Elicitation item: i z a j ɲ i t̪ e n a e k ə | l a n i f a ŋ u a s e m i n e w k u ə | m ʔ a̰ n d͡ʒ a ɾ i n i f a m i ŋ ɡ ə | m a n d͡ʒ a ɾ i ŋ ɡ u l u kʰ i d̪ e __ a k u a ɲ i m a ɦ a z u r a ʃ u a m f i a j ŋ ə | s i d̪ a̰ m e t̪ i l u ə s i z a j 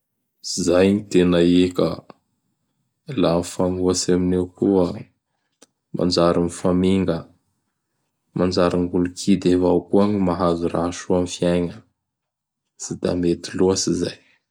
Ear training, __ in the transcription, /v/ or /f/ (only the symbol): v